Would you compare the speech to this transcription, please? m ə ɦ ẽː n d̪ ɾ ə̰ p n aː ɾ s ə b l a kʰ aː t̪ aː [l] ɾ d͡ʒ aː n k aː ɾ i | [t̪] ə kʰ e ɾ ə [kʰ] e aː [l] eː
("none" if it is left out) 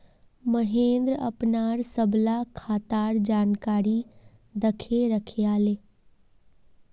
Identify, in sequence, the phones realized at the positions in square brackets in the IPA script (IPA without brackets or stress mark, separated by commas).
none, d̪, kʰ, l